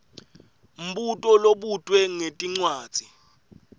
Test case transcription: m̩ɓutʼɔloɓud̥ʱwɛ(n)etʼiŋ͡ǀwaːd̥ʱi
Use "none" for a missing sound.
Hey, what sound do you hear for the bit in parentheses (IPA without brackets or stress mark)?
ŋ